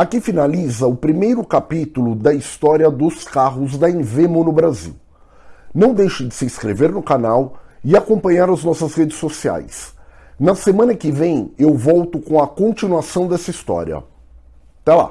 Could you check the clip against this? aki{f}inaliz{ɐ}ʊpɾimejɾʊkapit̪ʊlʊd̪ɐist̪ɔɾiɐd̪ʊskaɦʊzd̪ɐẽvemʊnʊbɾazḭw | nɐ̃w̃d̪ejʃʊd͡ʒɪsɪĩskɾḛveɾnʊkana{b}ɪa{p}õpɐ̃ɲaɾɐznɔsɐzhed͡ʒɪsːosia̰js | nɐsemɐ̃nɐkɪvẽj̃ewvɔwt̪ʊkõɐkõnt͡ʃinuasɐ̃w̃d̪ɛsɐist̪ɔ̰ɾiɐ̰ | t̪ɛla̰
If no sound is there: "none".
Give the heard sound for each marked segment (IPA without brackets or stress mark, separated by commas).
f, ɐ, w, k